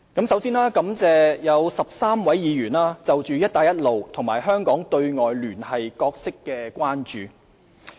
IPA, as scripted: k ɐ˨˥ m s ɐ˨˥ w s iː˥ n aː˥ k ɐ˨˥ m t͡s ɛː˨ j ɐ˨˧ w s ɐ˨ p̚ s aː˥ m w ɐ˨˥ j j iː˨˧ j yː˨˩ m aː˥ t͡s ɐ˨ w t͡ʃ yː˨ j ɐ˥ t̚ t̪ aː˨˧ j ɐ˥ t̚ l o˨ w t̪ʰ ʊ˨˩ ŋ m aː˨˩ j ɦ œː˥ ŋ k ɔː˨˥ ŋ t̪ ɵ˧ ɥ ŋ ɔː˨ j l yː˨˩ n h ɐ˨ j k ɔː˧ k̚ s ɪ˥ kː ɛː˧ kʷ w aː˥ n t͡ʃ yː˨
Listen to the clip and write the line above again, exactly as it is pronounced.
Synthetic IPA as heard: k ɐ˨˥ m s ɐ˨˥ w s iː˥ n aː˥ k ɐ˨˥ m t͡s ɛː˨ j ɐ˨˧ w s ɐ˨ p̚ s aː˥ m w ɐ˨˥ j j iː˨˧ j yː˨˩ n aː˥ t͡s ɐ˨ w t͡ʃ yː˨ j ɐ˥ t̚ t̪ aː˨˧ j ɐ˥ t̚ l o˨ w t̪ʰ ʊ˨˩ ŋ m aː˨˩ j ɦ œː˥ ŋ k ɔː˨˥ ŋ t̪ ɵ˧ ɥ ŋ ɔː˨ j l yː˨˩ n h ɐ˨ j k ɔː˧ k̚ s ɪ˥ kː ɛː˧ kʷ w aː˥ n t͡ʃ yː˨